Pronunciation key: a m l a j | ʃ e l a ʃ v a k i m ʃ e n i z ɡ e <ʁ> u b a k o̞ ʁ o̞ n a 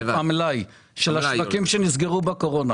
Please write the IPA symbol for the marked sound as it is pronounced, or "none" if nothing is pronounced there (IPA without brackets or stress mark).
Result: ʁ